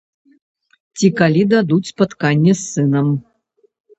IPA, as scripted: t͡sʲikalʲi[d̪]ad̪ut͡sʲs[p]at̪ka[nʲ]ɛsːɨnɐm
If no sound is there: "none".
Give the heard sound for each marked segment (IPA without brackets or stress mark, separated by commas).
d̪, p, nʲː